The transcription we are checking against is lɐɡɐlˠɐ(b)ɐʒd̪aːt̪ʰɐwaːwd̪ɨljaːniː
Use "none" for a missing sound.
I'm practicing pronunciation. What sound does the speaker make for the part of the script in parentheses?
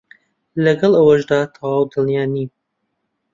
w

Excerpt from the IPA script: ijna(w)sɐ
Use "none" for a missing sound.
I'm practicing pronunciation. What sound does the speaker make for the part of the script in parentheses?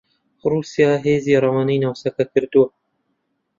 w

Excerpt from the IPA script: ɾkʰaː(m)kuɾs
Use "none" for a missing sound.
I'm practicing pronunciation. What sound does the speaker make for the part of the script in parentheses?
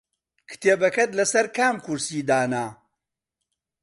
m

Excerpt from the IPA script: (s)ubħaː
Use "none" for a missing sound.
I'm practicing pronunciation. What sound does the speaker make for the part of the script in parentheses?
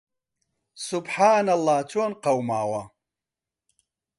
s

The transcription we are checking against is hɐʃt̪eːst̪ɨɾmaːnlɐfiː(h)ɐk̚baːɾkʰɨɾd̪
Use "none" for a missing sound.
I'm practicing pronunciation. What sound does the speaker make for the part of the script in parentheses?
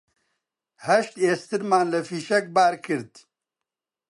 ʃ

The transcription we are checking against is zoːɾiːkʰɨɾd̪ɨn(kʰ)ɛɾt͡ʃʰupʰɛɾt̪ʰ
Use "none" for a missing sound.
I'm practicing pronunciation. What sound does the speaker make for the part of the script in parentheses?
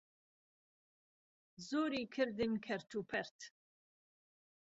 kʰ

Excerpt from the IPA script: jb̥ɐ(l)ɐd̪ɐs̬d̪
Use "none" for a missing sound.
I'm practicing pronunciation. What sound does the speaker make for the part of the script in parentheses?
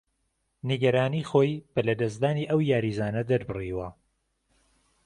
l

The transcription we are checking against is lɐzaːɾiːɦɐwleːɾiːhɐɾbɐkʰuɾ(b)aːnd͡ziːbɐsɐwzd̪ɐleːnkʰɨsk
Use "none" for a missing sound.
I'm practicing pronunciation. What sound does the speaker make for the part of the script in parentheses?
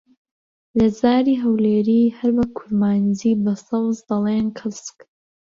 m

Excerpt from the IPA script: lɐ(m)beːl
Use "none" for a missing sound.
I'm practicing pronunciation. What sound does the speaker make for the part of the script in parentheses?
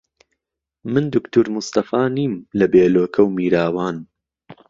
none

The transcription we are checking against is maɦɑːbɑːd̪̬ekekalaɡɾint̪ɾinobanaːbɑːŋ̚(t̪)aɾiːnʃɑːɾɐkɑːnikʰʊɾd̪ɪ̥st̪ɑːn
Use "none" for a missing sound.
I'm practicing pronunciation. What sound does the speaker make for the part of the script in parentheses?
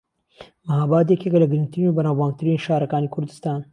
t̪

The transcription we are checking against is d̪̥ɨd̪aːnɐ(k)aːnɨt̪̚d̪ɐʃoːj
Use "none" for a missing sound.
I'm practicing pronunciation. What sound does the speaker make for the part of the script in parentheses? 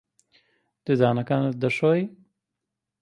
k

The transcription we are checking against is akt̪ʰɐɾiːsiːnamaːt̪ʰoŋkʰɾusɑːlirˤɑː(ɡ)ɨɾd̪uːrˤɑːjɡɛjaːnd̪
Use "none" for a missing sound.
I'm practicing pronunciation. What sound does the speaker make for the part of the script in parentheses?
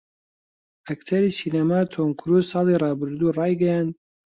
b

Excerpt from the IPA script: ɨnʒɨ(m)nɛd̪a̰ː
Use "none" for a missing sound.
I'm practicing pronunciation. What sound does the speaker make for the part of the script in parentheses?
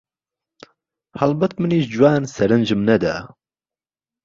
m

